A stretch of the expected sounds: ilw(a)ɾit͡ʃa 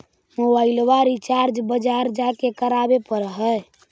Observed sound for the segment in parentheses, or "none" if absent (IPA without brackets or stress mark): a